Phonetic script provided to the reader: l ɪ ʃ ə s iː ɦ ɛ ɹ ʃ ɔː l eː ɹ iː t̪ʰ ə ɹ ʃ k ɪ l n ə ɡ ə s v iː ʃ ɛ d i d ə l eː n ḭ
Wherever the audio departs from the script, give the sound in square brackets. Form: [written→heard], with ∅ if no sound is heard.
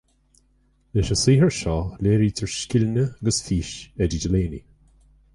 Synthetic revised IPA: l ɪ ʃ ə s iː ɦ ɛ ɹ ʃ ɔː l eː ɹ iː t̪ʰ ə ɹ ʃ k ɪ l n ə ɡ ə s [v→f] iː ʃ ɛ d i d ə l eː n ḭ